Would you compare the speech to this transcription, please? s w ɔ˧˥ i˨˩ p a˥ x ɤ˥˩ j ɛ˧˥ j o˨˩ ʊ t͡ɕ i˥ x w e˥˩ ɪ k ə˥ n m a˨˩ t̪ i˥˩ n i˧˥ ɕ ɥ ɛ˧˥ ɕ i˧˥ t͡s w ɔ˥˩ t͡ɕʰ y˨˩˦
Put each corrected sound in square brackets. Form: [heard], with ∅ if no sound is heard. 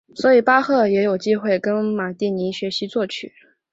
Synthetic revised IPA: s w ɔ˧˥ i˨˩ p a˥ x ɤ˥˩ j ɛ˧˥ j o˨˩ ʊ t͡ɕ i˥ x w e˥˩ ɪ k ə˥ n m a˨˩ t̪ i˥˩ n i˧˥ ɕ ɥ ɛ˧˥ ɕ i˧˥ t͡s w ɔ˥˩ t͡ɕʰ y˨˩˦